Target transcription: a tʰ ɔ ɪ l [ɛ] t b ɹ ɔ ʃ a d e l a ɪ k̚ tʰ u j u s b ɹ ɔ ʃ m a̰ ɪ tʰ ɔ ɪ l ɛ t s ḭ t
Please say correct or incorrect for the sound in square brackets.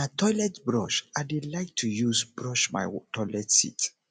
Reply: correct